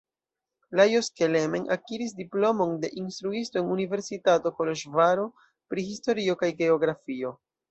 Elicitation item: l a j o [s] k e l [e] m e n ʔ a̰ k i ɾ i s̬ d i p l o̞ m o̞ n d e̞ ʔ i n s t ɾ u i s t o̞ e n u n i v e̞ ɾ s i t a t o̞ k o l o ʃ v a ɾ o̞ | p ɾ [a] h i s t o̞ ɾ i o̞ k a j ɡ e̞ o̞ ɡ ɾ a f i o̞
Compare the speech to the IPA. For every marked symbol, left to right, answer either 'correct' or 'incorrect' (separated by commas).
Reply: correct, correct, incorrect